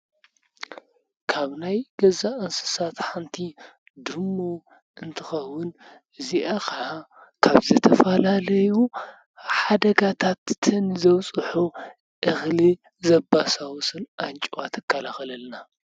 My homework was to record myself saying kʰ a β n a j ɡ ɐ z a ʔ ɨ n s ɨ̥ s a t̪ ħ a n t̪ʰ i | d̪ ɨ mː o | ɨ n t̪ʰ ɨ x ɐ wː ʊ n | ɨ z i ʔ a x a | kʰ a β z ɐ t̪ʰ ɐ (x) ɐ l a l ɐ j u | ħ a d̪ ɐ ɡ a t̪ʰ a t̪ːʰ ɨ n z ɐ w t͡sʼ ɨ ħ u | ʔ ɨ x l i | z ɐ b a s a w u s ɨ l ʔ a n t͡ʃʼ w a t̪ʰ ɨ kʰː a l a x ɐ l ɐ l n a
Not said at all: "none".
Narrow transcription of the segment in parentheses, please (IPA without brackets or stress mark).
f